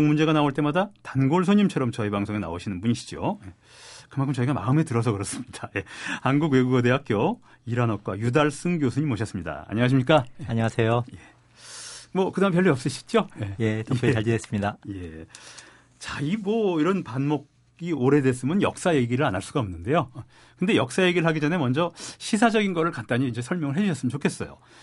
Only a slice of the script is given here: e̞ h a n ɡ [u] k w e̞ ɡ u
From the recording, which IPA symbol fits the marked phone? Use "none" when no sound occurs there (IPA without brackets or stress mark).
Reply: u